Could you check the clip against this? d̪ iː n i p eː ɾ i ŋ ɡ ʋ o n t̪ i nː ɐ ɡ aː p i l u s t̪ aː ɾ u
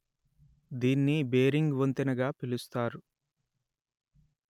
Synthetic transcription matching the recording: d̪ iː nː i b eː ɾ i ŋ ɡ ʋ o n t̪ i n ɐ ɡ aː p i l u s t̪ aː ɾ u